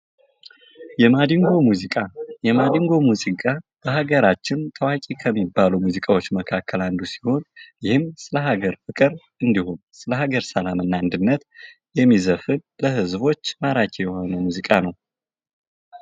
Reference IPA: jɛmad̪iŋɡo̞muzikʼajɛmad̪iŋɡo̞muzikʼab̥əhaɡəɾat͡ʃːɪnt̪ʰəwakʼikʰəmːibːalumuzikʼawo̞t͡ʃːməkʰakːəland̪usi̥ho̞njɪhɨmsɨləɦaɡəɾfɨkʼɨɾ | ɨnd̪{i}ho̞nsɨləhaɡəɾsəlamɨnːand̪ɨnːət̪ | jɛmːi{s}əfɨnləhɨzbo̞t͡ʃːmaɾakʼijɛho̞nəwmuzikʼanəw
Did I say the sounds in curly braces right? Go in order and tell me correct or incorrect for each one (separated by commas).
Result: correct, incorrect